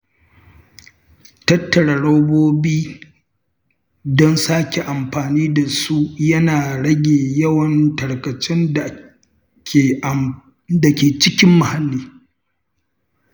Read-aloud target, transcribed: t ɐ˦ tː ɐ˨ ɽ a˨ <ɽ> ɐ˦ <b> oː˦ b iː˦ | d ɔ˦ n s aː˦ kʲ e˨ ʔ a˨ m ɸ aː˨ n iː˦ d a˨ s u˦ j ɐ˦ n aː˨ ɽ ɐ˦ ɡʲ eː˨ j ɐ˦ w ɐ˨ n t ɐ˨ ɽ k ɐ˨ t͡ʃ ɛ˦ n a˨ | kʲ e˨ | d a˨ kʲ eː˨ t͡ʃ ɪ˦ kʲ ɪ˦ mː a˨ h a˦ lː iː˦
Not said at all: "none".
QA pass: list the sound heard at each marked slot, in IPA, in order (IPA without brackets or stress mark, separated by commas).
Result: ɽ, b